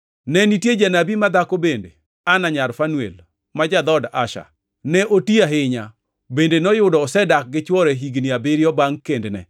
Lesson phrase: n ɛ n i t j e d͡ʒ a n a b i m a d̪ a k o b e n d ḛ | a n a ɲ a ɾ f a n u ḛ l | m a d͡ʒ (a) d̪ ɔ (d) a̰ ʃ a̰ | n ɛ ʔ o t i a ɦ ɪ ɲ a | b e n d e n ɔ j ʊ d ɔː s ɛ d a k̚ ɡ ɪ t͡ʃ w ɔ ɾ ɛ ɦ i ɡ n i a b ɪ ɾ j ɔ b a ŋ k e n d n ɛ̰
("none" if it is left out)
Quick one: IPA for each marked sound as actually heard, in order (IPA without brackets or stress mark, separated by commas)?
a, d